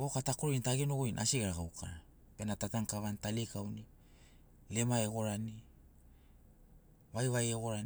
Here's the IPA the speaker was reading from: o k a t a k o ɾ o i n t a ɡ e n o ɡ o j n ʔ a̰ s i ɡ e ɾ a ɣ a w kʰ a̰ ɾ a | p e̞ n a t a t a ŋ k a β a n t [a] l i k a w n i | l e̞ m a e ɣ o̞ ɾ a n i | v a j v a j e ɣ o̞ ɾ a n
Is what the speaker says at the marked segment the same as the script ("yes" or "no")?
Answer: yes